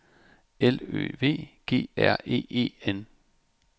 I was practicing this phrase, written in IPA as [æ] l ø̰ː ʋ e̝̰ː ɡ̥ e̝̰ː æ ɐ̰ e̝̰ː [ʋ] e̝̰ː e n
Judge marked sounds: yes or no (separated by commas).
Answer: no, no